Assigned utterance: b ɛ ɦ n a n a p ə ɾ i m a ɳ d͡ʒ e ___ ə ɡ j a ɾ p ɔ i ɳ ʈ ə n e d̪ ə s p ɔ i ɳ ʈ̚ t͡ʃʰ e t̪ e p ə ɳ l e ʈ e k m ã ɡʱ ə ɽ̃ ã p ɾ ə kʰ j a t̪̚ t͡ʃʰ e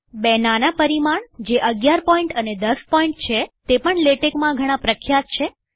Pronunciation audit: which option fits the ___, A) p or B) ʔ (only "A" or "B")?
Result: B